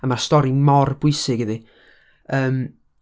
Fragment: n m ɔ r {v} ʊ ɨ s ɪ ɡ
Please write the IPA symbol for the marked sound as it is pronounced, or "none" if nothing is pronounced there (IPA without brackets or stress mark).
b